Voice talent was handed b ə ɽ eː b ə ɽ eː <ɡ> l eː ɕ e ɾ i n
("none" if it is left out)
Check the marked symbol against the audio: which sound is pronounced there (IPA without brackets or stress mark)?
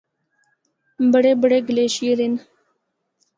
ɡ